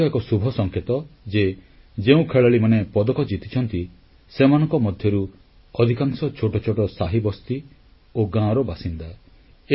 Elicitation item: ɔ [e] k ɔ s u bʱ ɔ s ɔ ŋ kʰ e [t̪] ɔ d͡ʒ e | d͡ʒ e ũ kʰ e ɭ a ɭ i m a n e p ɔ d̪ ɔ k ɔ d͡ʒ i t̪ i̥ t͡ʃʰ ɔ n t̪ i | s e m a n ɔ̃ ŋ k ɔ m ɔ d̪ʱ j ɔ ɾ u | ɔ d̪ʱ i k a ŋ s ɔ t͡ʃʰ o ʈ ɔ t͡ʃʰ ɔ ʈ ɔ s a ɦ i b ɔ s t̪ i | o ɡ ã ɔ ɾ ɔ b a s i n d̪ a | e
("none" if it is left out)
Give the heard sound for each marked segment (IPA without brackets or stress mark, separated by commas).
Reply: e, t̪